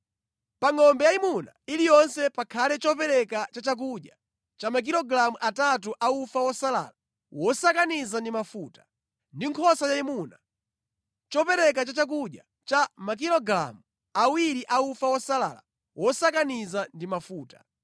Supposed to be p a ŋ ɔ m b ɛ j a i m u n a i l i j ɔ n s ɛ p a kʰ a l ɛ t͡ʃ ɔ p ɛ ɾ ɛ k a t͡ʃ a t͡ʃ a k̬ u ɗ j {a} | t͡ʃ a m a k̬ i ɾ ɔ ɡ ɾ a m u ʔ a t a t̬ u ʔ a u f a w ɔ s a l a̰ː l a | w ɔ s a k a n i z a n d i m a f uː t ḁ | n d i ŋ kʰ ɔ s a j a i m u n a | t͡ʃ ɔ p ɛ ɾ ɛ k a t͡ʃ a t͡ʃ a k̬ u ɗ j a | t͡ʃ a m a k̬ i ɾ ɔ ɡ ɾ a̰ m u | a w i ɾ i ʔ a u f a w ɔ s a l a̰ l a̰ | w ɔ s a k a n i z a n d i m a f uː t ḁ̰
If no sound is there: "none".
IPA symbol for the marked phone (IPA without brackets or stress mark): a